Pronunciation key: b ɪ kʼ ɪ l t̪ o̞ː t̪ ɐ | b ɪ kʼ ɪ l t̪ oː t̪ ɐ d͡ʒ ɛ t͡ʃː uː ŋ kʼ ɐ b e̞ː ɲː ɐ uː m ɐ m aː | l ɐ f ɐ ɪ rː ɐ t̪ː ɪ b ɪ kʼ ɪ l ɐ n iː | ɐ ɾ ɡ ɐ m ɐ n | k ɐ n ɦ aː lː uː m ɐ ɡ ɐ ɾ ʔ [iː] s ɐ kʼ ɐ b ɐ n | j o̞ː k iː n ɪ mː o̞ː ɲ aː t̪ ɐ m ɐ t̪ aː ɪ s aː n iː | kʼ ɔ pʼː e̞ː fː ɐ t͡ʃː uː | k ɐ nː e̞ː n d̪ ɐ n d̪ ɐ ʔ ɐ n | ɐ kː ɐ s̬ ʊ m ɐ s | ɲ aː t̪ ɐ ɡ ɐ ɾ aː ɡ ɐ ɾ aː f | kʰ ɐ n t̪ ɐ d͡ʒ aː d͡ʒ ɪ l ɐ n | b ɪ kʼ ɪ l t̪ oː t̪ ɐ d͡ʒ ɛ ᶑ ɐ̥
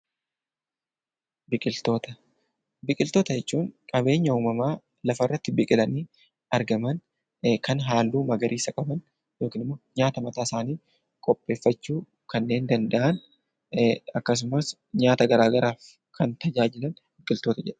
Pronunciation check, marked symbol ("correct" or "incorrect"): correct